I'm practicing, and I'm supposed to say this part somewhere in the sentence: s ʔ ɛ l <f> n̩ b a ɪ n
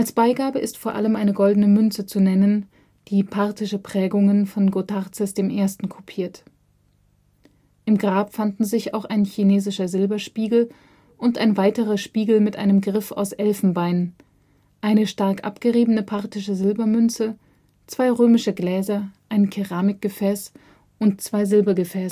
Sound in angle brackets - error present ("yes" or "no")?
no